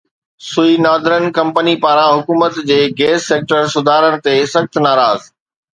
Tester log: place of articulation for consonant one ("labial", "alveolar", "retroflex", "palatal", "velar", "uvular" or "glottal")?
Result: alveolar